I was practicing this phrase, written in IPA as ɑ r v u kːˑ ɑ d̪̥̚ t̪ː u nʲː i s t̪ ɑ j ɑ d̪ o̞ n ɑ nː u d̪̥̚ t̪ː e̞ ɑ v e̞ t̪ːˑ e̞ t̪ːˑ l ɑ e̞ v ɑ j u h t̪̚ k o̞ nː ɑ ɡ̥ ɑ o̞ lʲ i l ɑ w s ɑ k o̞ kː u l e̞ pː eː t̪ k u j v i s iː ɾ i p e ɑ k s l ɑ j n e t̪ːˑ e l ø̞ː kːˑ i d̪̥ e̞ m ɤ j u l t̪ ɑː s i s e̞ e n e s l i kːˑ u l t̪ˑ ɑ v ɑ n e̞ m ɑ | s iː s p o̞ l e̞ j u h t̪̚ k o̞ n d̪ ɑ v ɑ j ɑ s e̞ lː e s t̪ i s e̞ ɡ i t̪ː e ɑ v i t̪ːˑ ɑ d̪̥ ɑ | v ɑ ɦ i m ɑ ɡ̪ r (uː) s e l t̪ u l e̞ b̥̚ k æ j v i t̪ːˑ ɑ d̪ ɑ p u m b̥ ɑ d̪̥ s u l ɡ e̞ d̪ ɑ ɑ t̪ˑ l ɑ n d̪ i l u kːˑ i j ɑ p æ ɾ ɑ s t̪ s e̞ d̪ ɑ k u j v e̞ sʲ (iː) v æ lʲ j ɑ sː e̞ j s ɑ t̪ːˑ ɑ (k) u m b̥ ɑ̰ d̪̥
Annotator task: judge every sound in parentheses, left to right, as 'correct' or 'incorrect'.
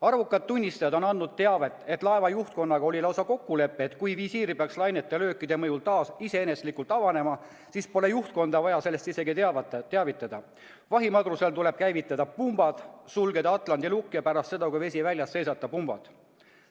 incorrect: u, incorrect: i, incorrect: p

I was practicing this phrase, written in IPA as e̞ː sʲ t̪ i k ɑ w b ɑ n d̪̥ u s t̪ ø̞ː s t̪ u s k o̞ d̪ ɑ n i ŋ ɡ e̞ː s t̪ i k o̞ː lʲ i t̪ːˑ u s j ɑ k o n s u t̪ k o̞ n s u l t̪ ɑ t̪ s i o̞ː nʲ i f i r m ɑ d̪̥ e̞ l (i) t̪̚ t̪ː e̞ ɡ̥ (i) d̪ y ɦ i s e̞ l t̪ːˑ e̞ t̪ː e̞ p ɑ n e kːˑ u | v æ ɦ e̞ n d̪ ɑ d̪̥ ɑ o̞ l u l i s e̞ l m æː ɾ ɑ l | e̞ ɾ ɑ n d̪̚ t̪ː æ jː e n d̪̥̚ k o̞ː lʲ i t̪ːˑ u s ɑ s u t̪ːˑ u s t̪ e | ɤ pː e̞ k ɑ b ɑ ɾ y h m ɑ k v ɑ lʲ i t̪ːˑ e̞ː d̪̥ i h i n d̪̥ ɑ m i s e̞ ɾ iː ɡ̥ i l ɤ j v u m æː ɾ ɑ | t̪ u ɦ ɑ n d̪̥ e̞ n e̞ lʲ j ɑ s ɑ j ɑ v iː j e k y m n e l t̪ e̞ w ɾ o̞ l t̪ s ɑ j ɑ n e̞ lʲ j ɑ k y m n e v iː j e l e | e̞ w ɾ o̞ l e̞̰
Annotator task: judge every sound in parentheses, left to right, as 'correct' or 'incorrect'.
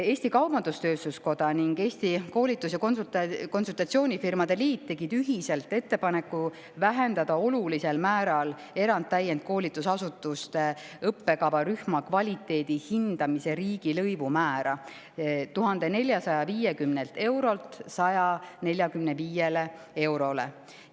incorrect: iː, correct

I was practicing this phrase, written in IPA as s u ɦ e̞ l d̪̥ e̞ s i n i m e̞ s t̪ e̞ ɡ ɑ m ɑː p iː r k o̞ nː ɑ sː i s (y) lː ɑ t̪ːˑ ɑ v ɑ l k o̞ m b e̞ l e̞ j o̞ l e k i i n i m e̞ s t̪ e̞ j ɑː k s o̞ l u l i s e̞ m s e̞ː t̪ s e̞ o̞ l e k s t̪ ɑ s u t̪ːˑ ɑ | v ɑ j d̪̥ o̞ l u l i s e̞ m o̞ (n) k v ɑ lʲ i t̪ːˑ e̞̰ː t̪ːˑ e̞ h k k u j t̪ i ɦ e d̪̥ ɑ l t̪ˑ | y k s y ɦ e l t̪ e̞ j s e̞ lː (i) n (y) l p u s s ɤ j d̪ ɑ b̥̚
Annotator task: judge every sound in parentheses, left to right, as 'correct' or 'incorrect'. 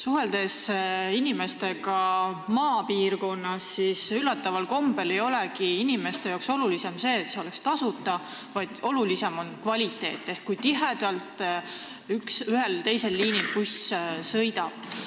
correct, correct, incorrect: iː, incorrect: i

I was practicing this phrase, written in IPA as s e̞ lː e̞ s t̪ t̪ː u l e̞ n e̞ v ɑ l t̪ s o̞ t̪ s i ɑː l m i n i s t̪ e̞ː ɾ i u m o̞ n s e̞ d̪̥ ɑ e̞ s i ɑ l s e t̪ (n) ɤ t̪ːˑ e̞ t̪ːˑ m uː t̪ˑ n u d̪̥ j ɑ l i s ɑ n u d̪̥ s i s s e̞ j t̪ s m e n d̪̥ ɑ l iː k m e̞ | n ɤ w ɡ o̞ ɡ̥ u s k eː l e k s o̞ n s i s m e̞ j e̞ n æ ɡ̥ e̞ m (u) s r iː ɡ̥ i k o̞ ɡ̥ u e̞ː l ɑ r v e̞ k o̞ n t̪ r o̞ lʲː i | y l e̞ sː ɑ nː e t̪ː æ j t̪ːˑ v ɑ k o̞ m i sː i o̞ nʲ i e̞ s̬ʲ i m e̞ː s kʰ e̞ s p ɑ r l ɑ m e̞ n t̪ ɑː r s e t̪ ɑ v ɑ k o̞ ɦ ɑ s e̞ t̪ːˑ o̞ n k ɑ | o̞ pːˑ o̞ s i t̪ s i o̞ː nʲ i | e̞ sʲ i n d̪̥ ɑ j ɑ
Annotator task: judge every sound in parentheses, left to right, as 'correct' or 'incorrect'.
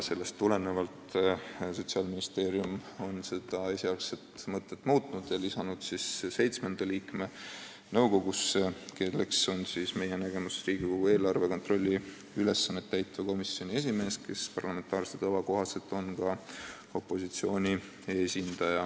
incorrect: m, correct

